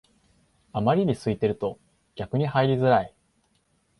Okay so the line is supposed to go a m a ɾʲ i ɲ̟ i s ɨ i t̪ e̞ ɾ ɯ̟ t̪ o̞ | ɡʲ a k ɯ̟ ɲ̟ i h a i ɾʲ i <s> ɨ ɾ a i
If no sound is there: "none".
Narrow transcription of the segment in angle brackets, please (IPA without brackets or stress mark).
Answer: z